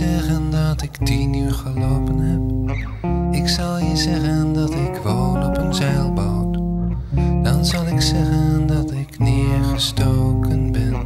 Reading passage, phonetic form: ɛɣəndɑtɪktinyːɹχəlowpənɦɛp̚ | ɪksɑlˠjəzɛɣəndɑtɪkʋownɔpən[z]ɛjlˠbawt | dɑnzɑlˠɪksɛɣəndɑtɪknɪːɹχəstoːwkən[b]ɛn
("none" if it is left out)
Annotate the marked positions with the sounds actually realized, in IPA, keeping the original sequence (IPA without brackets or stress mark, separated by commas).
z, b